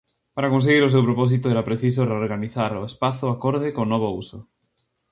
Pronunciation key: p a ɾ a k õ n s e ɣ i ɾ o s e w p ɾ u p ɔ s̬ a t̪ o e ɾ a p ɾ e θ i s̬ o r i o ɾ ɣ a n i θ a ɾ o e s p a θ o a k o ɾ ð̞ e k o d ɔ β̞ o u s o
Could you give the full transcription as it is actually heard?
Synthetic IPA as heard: p a ɾ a k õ n s e ɣ i ɾ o s e w p ɾ o p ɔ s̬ i t̪ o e ɾ a p ɾ e θ i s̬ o r e o ɾ ɣ a n i θ a ɾ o e s p a θ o a k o ɾ ð̞ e k o n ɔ β̞ o u s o

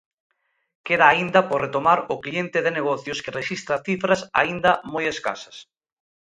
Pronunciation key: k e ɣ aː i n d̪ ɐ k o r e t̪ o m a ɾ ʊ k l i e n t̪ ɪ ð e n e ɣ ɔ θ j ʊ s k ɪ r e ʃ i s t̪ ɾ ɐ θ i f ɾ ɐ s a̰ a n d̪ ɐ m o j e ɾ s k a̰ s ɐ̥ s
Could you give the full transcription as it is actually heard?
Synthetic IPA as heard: k e ð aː i n d̪ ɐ p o r e t̪ o m a ɾ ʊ k l i e n t̪ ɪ ð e n e ɣ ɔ θ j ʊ s k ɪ r e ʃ i s t̪ ɾ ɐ θ i f ɾ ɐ s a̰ i n d̪ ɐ m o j e s k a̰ s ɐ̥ s

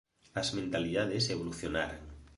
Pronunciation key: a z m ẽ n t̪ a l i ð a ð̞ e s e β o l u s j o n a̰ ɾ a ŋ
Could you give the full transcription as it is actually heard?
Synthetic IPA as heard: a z m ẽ n t̪ a l i ð a ð̞ e s e β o l u θ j o n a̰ ɾ a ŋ

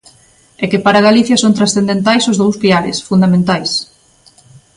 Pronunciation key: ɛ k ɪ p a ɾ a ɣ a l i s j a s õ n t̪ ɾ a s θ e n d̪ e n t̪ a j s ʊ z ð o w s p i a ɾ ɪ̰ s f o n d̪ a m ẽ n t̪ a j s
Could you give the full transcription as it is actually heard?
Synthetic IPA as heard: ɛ k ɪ p a ɾ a ɣ a l i θ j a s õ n t̪ ɾ a s θ e n d̪ e n t̪ a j s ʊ z ð o w s p i a ɾ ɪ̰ s f u n d̪ a m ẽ n t̪ a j s

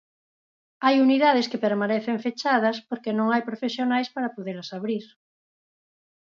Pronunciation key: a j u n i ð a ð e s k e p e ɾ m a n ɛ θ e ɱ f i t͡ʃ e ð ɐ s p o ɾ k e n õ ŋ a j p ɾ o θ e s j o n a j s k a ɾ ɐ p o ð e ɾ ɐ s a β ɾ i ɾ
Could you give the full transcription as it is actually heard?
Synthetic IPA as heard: a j u n i ð a ð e s k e p e ɾ m a n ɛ θ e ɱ f e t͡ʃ a ð ɐ s p o ɾ k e n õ ŋ a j p ɾ o f e s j o n a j s p a ɾ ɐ p o ð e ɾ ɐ s a β ɾ i ɾ

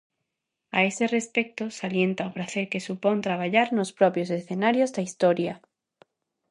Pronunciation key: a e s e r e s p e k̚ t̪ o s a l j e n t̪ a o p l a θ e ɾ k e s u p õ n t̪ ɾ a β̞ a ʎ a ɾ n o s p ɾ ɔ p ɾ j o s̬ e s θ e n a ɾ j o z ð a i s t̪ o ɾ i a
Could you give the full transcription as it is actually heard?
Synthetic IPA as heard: a e s e r e s p e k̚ t̪ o s a l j e n t̪ a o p ɾ a θ e ɾ k e s u p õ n t̪ ɾ a β̞ a ʎ a ɾ n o s p ɾ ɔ p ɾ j o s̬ e s θ e n a ɾ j o z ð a i s t̪ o ɾ j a

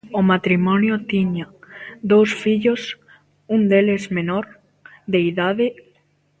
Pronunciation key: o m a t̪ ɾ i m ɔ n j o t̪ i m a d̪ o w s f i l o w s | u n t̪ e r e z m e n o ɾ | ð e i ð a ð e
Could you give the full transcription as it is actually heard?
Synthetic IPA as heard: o m a t̪ ɾ i m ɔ n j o t̪ i ɲ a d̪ o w s f i ʎ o s | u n d̪ e l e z m e n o ɾ | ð e i ð a ð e

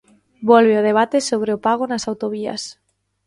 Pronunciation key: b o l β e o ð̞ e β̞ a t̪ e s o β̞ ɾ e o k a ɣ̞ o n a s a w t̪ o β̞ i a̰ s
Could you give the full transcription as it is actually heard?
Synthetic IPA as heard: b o l β e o ð̞ e β̞ a t̪ e s o β̞ ɾ e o p a ɣ̞ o n a s a w t̪ o β̞ i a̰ s

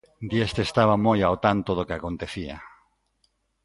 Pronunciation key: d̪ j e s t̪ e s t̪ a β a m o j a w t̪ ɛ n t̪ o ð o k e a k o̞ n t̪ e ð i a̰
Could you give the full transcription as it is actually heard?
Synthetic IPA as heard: d̪ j e s t̪ e s t̪ a β a m o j a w t̪ a n t̪ o ð o k e a k o̞ n t̪ e θ i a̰

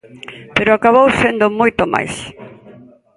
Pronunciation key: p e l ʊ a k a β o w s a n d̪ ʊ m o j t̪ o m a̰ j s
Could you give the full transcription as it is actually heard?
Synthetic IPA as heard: p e ɾ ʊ a k a β o w s e n d̪ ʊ m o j t̪ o m a̰ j s

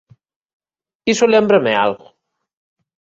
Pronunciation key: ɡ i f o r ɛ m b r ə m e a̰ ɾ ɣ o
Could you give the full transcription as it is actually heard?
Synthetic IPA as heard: k i s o l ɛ m b ɾ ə m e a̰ l ɣ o

